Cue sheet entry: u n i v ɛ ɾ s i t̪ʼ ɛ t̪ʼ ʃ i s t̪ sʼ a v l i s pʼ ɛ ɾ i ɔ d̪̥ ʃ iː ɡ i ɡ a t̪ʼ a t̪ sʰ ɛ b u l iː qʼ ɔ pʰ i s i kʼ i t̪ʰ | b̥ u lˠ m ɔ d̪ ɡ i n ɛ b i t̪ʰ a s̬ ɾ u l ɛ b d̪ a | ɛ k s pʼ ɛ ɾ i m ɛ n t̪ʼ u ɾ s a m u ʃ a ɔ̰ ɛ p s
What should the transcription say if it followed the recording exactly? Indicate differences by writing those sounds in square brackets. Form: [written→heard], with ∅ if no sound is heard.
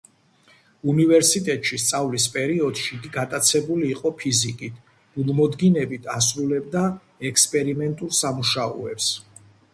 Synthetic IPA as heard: u n i v ɛ ɾ s i t̪ʼ ɛ t̪ʼ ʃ i s t̪ sʼ a v l i s pʼ ɛ ɾ i ɔ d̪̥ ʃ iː ɡ i ɡ a t̪ʼ a t̪ sʰ ɛ b u l iː qʼ ɔ pʰ i [s→z] i kʼ i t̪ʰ | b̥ u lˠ m ɔ d̪ ɡ i n ɛ b i t̪ʰ a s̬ ɾ u l ɛ b d̪ a | ɛ k s pʼ ɛ ɾ i m ɛ n t̪ʼ u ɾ s a m u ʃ a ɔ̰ ɛ p s

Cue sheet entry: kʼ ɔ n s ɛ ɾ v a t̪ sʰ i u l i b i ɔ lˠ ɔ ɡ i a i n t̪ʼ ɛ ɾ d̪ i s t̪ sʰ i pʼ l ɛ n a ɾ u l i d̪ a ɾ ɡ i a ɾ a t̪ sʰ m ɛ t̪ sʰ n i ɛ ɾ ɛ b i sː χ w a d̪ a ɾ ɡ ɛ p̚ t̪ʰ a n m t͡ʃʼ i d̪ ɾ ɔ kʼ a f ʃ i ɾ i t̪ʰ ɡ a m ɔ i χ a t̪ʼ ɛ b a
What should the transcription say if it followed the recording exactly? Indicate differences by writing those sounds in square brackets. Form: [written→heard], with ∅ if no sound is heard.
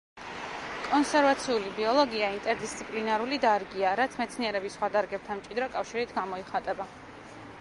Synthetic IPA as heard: kʼ ɔ n s ɛ ɾ v a t̪ sʰ i u l i b i ɔ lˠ ɔ ɡ i a i n t̪ʼ ɛ ɾ d̪ i s t̪ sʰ i pʼ l [ɛ→i] n a ɾ u l i d̪ a ɾ ɡ i a ɾ a t̪ sʰ m ɛ t̪ sʰ n i ɛ ɾ ɛ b i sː χ w a d̪ a ɾ ɡ ɛ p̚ t̪ʰ a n m t͡ʃʼ i d̪ ɾ ɔ kʼ a f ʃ i ɾ i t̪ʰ ɡ a m ɔ i χ a t̪ʼ ɛ b a

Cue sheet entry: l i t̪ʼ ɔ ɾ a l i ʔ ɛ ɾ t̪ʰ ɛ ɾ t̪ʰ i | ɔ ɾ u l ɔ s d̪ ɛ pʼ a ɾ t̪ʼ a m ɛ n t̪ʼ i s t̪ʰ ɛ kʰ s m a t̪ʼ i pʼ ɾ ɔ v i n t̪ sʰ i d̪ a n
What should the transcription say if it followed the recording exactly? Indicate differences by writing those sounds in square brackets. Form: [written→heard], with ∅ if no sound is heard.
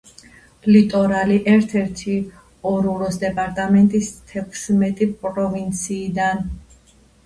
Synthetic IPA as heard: l i t̪ʼ ɔ ɾ a l i ʔ ɛ ɾ t̪ʰ ɛ ɾ t̪ʰ i | ɔ ɾ u [l→ɾ] ɔ s d̪ ɛ pʼ a ɾ t̪ʼ a m ɛ n t̪ʼ i s t̪ʰ ɛ kʰ s m [a→ɛ] t̪ʼ i pʼ ɾ ɔ v i n t̪ sʰ [i→iː] d̪ a n

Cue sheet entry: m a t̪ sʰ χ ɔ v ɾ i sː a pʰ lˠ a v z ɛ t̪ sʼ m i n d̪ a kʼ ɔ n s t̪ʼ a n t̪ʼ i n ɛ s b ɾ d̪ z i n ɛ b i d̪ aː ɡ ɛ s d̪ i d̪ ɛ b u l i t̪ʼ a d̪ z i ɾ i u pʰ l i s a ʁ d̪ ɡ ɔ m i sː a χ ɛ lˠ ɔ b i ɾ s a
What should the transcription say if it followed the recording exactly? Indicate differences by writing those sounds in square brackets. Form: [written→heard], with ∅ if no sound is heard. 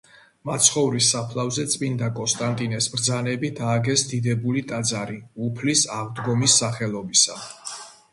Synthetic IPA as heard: m a t̪ sʰ χ ɔ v ɾ i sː a pʰ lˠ a v z ɛ t̪ sʼ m i n d̪ a kʼ ɔ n s t̪ʼ a n t̪ʼ i n ɛ s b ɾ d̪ z [i→a] n ɛ b i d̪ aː ɡ ɛ s d̪ i d̪ ɛ b u l i t̪ʼ a d̪ z [i→a] ɾ i u pʰ l i s a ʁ d̪ ɡ ɔ m i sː a χ ɛ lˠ ɔ b i [ɾ→∅] s a

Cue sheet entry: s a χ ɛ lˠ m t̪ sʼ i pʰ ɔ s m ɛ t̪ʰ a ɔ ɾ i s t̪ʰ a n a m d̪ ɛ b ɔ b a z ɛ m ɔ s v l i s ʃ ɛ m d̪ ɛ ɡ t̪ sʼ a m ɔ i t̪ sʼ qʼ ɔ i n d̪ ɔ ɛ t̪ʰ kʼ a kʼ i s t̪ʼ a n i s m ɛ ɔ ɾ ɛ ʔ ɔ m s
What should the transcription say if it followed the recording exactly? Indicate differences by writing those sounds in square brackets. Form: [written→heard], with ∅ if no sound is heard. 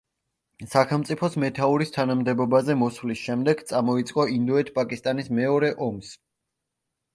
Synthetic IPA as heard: s a χ ɛ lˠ m t̪ sʼ i pʰ ɔ s m ɛ t̪ʰ a [ɔ→u] ɾ i s t̪ʰ a n a m d̪ ɛ b ɔ b a z ɛ m ɔ s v l i s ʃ ɛ m d̪ ɛ ɡ t̪ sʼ a m ɔ i t̪ sʼ qʼ ɔ i n d̪ ɔ ɛ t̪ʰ [kʼ→pʼ] a kʼ i s t̪ʼ a n i s m ɛ ɔ ɾ ɛ ʔ ɔ m s

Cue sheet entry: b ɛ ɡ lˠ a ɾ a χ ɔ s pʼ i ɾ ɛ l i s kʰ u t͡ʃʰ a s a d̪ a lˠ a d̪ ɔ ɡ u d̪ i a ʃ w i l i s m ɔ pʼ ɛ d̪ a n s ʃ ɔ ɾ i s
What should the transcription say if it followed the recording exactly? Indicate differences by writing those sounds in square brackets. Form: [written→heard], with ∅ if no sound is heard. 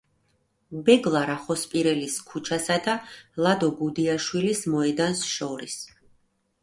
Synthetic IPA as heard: b ɛ ɡ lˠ a ɾ a χ ɔ s pʼ i ɾ ɛ l i s kʰ u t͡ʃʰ a s a d̪ a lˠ a d̪ ɔ ɡ u d̪ i a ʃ w i l i s m ɔ [pʼ→∅] ɛ d̪ a n s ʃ ɔ ɾ i s

